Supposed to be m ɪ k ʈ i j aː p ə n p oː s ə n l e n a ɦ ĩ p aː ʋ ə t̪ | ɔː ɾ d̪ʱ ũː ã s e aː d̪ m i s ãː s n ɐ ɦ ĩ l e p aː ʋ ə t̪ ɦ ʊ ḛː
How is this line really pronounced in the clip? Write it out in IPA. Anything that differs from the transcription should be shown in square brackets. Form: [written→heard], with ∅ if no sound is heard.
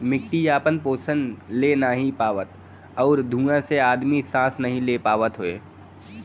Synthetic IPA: m ɪ k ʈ i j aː p ə n p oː s ə n l e n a ɦ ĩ p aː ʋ ə t̪ | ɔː ɾ d̪ʱ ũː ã s e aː d̪ m i s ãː s n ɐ ɦ ĩ l e p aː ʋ ə t̪ ɦ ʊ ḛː

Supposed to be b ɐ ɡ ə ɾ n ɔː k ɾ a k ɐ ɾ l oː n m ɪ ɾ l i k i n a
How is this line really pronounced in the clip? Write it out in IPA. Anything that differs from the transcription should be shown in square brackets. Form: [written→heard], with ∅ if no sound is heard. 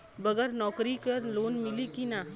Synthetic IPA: b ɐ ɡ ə ɾ n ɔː k ɾ [a→i] k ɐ ɾ l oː n m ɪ [ɾ→∅] l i k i n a

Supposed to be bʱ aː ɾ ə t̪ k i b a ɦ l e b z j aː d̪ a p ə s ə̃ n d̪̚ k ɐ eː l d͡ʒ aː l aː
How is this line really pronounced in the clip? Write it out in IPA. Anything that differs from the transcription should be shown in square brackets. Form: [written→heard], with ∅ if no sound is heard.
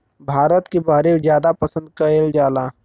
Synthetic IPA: bʱ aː ɾ ə t̪ k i b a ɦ [l→ɾ] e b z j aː d̪ a p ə s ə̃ n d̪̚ k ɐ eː l d͡ʒ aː l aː

